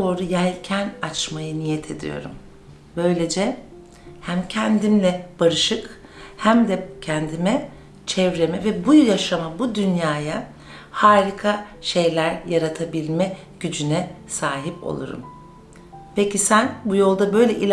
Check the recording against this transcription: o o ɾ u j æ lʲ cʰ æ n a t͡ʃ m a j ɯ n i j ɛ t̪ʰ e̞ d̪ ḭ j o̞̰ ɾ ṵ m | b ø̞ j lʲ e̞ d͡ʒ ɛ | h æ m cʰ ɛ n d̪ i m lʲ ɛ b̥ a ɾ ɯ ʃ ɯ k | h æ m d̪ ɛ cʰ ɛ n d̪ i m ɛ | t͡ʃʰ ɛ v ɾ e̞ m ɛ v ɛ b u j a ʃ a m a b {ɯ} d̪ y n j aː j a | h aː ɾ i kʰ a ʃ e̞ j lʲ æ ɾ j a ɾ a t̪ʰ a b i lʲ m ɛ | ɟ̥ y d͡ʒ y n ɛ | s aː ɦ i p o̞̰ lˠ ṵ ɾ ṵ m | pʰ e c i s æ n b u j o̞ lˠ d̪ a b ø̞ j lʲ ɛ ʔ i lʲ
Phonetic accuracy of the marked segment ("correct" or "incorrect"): incorrect